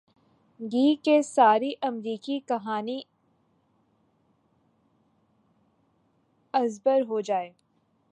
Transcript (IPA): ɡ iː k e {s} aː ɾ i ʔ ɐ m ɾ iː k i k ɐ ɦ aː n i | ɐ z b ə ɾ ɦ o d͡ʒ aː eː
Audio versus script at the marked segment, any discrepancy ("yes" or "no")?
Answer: no